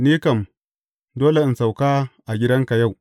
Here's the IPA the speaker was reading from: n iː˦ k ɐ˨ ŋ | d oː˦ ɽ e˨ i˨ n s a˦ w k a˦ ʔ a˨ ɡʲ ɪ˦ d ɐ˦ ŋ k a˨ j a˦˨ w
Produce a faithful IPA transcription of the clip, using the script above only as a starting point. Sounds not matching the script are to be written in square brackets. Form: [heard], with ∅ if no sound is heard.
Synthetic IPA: n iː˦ k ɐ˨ [m] | d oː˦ [l] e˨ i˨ n s [a˨] w k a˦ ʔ a˨ ɡʲ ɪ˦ d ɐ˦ ŋ k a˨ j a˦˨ w